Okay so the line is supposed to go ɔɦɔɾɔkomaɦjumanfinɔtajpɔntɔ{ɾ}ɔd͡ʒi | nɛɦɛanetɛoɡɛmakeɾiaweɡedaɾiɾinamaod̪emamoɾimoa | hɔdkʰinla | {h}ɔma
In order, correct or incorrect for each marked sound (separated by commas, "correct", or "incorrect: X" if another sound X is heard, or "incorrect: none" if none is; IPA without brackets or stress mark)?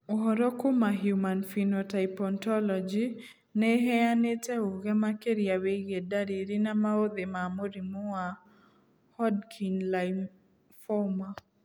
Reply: incorrect: l, incorrect: f